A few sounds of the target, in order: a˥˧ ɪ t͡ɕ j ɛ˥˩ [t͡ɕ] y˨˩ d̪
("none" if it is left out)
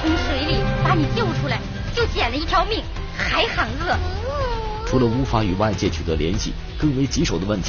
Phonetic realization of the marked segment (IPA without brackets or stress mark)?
t͡ɕʰ